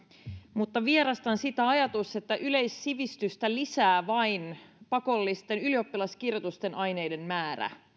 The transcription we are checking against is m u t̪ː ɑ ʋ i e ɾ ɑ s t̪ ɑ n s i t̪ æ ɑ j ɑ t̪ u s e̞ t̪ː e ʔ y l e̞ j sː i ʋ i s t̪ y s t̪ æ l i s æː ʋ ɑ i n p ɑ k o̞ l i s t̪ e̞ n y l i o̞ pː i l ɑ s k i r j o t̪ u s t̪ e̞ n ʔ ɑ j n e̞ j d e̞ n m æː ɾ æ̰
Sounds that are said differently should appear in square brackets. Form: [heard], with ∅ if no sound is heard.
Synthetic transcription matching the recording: m u t̪ː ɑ ʋ i e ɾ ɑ s t̪ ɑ n s i t̪ æ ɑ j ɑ t̪ u s e̞ t̪ː [æ] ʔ y l e̞ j sː i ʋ i s t̪ y s t̪ æ l i s æː ʋ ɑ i n p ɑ k o̞ [lː] i s t̪ e̞ n y l i o̞ pː i l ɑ s k i r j o t̪ u s t̪ e̞ n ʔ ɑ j n e̞ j d e̞ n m æː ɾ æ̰